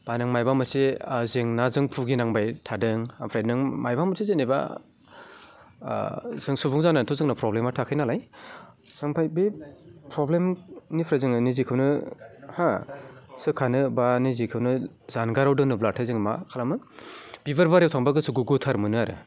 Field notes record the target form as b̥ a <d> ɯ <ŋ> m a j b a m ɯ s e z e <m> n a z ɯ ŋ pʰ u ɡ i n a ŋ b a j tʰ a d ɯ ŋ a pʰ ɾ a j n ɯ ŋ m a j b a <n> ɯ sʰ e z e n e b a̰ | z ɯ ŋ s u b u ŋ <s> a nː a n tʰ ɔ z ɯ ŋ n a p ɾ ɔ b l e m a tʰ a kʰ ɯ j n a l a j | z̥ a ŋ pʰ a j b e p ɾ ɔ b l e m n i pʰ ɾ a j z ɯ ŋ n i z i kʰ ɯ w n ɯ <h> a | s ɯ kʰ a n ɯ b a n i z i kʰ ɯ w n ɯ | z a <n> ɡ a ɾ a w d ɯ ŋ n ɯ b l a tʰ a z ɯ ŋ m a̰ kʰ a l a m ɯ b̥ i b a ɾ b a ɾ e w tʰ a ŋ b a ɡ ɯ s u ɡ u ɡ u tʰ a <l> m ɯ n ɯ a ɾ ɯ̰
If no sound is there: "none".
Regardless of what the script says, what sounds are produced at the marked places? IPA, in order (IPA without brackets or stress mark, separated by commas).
n, ŋ, ŋ, m, z, h, n, ɾ